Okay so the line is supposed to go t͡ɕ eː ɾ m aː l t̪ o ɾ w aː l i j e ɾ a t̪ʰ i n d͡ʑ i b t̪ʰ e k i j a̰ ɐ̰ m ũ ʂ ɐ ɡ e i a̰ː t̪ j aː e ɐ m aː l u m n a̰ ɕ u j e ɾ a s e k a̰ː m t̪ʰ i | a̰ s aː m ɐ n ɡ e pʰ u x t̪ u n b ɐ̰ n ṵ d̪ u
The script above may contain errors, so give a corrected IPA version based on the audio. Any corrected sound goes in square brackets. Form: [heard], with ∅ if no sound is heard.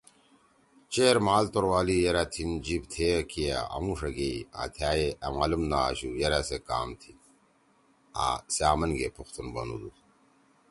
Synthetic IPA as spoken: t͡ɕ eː ɾ m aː l t̪ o ɾ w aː l i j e ɾ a t̪ʰ i n d͡ʑ i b t̪ʰ e k i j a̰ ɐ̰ m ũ ʂ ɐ ɡ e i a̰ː [t̪ʰ] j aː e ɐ m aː l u m n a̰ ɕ u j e ɾ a s e k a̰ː m t̪ʰ i | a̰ s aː m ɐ n ɡ e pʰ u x t̪ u n b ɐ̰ n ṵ d̪ u